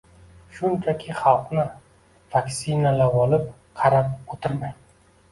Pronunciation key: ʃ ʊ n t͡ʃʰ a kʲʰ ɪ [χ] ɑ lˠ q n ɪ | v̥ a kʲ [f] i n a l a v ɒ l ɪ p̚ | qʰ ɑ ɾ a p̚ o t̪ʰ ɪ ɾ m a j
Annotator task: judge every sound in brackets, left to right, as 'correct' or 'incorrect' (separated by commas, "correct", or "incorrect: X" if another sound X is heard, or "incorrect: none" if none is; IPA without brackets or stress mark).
correct, incorrect: s